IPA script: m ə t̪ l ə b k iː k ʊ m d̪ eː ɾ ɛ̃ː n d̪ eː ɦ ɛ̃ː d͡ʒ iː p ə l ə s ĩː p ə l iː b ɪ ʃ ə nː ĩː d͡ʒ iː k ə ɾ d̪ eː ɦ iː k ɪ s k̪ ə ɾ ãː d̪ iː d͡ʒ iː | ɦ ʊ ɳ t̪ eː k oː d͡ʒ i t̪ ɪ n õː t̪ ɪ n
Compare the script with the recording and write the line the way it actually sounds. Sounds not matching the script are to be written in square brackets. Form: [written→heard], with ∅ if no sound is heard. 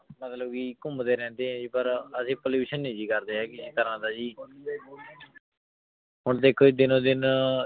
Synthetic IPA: m ə t̪ l ə b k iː k ʊ m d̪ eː ɾ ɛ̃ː n d̪ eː ɦ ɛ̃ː d͡ʒ iː p ə [l→ɾ] ə s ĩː p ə l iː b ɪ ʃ ə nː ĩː d͡ʒ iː k ə ɾ d̪ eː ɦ [iː→ɛː] k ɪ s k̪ ə ɾ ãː d̪ [iː→aː] d͡ʒ iː | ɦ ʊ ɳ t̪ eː [k→kʰ] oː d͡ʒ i [t̪→d̪] ɪ n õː [t̪→d̪] ɪ n